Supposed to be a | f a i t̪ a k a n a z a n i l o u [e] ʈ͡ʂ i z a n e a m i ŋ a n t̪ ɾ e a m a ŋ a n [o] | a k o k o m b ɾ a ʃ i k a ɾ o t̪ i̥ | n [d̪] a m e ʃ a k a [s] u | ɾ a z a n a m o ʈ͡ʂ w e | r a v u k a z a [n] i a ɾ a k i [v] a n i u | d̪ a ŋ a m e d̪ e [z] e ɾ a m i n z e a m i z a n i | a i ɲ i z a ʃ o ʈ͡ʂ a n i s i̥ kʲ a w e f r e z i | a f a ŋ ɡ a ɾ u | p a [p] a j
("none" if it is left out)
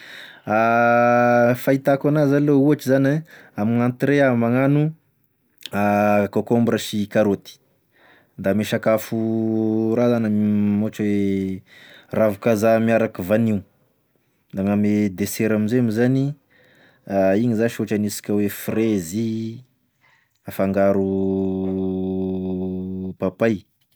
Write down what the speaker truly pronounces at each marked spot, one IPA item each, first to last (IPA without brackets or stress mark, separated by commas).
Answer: a, u, d̪, f, m, v, s, p